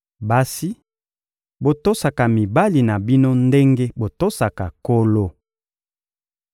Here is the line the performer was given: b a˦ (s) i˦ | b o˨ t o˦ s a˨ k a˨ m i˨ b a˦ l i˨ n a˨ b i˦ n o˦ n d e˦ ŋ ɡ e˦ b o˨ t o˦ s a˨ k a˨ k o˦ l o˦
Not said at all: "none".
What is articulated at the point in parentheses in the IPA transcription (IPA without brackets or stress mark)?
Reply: s